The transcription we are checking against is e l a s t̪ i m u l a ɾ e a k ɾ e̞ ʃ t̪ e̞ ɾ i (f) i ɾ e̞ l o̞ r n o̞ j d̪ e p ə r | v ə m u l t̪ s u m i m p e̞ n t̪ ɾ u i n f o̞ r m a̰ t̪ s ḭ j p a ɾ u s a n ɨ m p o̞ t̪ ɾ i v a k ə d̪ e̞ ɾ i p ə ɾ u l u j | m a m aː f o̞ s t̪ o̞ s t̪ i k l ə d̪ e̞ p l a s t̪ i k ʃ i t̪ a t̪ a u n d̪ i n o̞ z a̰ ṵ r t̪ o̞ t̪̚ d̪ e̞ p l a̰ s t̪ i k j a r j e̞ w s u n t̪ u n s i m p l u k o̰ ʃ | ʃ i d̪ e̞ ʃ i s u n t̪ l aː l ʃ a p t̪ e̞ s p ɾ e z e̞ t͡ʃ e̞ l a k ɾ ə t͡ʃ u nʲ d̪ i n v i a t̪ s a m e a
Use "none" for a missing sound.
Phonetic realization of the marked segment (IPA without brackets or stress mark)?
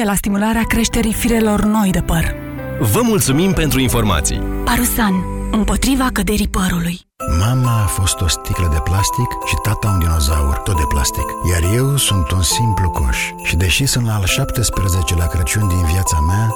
f